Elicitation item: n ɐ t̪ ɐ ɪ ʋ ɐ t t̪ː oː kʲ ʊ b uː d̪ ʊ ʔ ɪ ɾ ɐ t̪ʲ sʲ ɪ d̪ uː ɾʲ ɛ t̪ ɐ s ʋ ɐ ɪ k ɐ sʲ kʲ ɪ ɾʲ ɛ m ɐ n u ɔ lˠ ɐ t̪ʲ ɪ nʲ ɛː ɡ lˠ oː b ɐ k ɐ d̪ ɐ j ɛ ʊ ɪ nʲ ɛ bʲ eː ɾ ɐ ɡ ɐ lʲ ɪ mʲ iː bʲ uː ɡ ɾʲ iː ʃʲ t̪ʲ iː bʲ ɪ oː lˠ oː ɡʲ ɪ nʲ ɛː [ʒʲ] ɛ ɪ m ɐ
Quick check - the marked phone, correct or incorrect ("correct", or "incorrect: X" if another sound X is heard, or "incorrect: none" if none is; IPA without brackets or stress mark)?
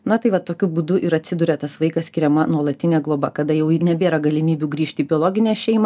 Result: incorrect: ʃʲ